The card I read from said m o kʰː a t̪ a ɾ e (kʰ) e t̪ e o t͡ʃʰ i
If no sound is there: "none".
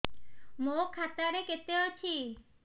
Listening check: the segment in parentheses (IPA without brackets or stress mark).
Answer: k